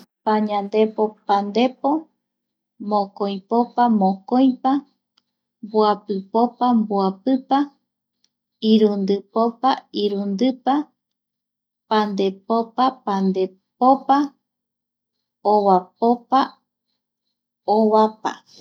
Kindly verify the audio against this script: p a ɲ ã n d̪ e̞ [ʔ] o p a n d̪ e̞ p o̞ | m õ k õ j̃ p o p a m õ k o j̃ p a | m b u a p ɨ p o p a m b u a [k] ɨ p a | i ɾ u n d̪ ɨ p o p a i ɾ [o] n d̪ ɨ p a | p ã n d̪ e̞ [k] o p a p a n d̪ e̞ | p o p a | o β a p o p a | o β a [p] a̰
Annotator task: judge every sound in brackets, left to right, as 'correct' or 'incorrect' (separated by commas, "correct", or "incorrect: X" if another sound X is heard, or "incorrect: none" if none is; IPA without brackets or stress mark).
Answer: incorrect: p, incorrect: p, incorrect: u, incorrect: p, correct